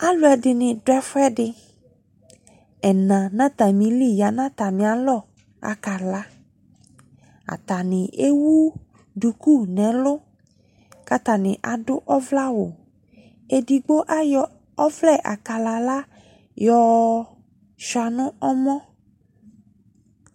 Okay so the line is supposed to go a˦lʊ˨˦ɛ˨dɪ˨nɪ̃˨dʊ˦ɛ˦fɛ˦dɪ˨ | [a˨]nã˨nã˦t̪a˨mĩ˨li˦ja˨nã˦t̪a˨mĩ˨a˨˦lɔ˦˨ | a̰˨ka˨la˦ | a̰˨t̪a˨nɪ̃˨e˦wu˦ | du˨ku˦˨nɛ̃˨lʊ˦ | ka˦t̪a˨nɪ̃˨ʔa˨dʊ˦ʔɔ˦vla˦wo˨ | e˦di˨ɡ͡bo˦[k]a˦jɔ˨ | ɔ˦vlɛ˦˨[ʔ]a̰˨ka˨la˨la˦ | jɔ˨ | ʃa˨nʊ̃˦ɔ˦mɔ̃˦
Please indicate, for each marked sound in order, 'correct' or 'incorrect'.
incorrect, incorrect, correct

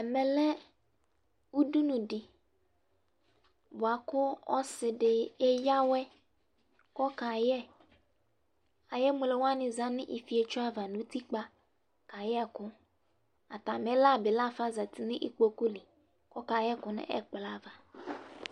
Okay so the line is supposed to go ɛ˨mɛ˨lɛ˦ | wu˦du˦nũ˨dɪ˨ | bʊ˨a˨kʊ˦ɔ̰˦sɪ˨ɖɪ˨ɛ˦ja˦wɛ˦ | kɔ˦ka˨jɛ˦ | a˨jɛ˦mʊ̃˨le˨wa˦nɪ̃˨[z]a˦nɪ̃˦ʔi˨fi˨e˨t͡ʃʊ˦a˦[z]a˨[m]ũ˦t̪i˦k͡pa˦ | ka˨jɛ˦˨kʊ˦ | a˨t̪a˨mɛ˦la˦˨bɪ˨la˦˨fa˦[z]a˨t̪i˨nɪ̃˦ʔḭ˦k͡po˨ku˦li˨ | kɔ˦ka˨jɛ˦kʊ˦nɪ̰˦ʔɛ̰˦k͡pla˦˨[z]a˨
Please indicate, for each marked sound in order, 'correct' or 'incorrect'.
correct, incorrect, incorrect, correct, incorrect

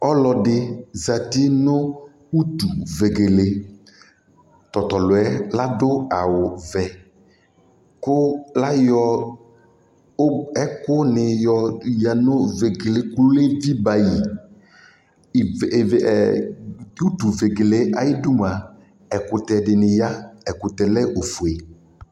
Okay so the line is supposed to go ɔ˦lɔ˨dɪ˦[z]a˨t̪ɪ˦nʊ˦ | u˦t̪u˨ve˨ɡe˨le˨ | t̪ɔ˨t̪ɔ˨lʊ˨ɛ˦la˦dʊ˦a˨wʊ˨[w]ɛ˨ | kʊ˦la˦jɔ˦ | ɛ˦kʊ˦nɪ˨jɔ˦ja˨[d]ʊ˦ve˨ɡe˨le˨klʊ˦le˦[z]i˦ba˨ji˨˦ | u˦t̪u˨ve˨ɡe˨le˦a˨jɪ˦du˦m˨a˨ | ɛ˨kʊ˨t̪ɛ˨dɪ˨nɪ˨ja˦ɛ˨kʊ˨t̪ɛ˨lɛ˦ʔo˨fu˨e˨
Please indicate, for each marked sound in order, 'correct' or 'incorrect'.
correct, incorrect, incorrect, incorrect

